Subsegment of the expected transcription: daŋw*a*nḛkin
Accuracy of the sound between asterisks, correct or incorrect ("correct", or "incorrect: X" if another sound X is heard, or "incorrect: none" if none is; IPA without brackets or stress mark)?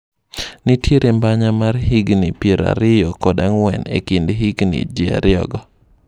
incorrect: ɛ